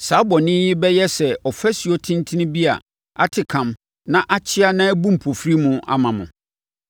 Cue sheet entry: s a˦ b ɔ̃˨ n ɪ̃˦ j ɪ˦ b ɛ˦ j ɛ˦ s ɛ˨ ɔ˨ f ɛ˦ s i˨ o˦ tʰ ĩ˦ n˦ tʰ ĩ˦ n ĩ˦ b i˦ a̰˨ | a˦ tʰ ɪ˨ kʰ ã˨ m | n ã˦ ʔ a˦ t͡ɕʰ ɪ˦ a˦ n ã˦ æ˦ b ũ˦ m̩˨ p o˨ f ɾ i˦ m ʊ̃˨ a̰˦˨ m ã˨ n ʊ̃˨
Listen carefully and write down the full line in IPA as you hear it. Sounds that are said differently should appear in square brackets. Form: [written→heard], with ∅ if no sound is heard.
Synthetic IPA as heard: s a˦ b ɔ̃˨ n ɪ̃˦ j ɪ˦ b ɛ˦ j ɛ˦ s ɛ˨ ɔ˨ f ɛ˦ s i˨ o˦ tʰ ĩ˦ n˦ tʰ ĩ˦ n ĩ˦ b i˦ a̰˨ | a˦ tʰ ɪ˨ kʰ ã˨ m | n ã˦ ʔ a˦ t͡ɕʰ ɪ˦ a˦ n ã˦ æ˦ b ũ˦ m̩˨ [p→pʰ] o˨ f ɾ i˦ m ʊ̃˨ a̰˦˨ m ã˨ [n→m] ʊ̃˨